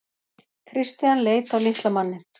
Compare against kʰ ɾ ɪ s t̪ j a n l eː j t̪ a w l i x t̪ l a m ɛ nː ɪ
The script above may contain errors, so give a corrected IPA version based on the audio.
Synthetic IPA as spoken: kʰ ɾ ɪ s t̪ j a n l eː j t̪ a w l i h t̪ l a m a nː ɪ